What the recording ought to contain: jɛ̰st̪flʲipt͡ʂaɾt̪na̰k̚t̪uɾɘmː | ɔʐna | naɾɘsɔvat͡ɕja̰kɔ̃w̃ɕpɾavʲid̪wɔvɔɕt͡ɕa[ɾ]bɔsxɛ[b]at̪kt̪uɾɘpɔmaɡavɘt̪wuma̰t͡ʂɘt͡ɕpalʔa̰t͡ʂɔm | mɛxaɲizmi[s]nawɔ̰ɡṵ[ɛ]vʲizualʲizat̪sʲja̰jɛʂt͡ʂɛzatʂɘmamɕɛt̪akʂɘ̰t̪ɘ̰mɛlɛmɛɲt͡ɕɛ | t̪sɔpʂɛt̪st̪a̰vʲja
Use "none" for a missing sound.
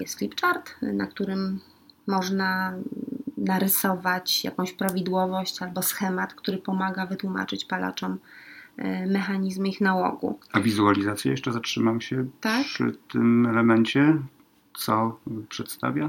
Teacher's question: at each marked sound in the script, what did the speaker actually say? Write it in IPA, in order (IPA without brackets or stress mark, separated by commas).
l, m, x, a